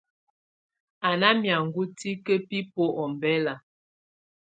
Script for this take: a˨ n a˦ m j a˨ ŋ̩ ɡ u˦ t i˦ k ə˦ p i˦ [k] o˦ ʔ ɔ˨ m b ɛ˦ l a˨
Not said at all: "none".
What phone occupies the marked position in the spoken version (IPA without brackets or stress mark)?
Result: p